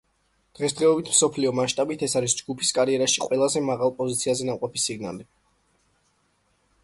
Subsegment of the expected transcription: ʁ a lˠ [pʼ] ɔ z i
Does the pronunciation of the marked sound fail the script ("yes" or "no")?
no